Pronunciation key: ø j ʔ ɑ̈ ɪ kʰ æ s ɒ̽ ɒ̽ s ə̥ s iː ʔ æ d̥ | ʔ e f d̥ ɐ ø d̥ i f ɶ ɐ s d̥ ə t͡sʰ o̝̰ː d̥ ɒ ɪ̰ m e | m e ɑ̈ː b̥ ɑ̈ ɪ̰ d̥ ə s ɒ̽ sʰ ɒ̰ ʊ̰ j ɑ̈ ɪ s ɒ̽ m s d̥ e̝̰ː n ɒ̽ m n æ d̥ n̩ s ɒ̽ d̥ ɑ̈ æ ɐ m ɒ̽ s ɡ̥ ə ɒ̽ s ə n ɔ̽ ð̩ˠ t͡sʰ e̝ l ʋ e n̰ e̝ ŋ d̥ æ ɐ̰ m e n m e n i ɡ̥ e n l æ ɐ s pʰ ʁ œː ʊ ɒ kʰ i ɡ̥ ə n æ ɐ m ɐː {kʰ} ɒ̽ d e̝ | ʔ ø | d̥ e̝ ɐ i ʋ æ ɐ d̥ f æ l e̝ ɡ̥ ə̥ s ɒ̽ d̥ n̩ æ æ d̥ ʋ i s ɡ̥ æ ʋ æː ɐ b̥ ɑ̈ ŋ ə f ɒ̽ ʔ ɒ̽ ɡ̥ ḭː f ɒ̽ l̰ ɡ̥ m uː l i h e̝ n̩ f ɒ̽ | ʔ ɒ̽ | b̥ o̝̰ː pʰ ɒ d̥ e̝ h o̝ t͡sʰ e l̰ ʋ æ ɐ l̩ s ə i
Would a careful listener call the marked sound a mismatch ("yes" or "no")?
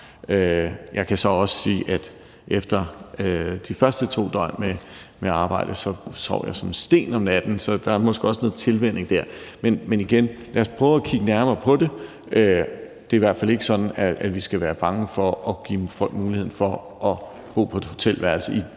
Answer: yes